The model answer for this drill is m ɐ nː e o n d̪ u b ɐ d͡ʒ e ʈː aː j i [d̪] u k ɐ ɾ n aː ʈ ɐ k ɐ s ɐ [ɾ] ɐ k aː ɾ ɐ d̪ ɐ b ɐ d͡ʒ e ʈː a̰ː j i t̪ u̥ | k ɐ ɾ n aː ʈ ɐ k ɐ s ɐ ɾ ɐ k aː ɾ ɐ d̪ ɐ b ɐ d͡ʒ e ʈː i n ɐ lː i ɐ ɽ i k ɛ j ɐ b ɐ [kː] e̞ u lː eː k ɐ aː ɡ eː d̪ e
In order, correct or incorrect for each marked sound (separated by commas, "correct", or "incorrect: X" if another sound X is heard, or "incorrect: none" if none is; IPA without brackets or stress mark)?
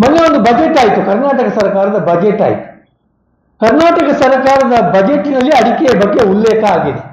incorrect: t̪, correct, incorrect: ɡː